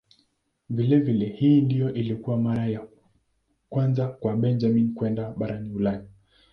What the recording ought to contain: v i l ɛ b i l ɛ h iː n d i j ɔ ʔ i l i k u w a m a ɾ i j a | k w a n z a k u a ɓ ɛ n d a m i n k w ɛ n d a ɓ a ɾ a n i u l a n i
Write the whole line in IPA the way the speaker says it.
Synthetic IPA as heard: v i l ɛ v i l ɛ h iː n d i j ɔ ʔ i l i k u w a m a ɾ a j a | k w a n z a k w a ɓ ɛ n d͡ʒ a m i n k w ɛ n d a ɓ a ɾ a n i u l a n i